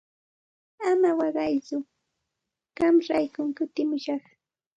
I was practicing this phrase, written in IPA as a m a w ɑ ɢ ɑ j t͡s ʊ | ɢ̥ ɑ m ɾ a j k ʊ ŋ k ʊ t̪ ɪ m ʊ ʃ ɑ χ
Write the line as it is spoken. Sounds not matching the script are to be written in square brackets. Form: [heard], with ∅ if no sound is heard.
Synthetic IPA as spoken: a m a w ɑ ɢ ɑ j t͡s ʊ | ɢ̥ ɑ m ɾ a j k ʊ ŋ k ʊ t̪ ɪ m ʊ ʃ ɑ χ